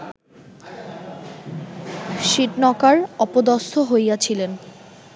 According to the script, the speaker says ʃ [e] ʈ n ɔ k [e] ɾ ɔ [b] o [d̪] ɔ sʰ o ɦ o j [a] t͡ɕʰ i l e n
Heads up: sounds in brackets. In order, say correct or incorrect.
incorrect: i, incorrect: a, incorrect: p, correct, correct

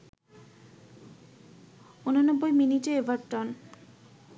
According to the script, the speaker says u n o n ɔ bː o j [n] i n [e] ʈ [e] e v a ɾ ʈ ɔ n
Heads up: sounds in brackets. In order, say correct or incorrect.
incorrect: m, incorrect: i, correct

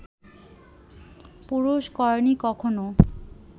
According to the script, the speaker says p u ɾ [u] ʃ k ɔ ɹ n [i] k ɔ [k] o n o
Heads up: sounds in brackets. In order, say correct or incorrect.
correct, correct, incorrect: kʰ

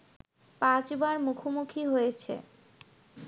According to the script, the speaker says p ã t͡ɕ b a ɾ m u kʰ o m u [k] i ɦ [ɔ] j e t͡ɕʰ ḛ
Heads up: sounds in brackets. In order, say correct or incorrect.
incorrect: kʰ, incorrect: o

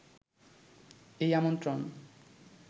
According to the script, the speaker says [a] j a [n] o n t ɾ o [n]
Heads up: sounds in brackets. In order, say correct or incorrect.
incorrect: e, incorrect: m, correct

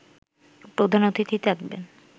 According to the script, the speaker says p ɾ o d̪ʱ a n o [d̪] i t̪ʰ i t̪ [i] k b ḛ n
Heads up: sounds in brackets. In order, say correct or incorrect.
incorrect: t̪, incorrect: a

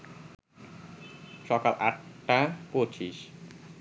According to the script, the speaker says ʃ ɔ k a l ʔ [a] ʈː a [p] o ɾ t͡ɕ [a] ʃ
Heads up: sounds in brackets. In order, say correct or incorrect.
correct, correct, incorrect: i

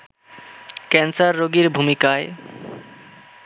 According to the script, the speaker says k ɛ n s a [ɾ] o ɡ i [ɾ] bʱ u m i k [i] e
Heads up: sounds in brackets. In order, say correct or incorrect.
incorrect: ɾː, correct, incorrect: a

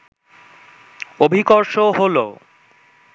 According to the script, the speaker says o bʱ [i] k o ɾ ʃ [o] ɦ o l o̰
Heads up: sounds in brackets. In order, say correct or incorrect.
correct, correct

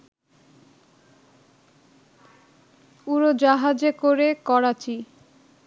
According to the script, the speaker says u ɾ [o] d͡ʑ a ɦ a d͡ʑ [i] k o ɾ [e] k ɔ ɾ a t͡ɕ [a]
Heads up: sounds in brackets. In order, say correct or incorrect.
correct, incorrect: e, correct, incorrect: i

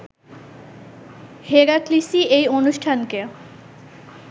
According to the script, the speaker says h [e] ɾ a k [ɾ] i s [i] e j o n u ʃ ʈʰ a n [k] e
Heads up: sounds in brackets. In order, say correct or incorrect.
correct, incorrect: l, correct, correct

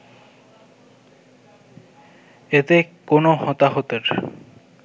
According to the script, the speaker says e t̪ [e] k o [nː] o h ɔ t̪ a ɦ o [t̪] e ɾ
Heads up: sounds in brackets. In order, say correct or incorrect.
correct, incorrect: n, correct

